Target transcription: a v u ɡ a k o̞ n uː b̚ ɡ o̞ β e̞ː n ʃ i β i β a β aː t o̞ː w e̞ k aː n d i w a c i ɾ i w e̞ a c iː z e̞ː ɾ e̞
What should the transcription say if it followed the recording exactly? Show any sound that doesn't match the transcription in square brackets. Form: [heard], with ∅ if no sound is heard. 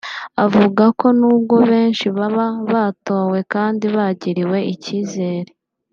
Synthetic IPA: a v u ɡ a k o̞ n uː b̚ ɡ o̞ β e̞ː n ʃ i β [a] β a β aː t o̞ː w e̞ k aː n d i [β] a [ɟ] i ɾ i w e̞ [i] c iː z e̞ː ɾ e̞